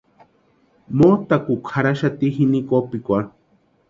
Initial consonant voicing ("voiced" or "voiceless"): voiced